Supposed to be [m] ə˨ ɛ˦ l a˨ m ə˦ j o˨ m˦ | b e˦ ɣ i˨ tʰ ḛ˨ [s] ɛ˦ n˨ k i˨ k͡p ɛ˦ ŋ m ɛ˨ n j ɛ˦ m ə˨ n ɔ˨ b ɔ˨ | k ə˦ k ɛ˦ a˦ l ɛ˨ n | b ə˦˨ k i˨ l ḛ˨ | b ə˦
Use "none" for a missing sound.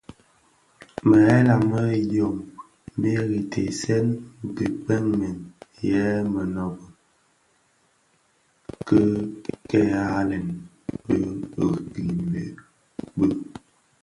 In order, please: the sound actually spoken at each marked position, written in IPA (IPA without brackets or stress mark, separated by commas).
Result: m, s